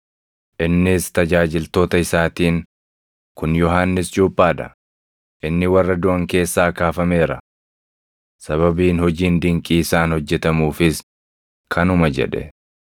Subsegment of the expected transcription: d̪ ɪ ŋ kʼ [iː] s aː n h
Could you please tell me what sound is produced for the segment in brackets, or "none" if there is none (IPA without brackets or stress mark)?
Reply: iː